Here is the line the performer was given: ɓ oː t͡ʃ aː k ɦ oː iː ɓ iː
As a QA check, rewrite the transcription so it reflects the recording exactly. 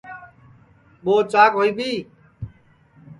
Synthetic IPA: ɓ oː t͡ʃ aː k ɦ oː iː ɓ iː